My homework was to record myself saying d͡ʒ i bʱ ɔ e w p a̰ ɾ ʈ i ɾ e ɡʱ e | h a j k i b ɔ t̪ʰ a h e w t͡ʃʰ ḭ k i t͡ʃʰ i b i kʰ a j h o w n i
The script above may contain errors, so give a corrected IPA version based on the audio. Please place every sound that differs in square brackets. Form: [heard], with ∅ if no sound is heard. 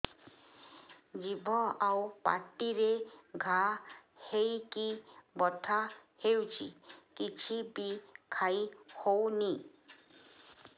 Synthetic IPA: d͡ʒ i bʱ ɔ [a] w p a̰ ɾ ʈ i ɾ e ɡʱ [a] | h [e] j k i b ɔ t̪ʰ a h e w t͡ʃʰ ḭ k i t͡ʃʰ i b i kʰ a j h o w n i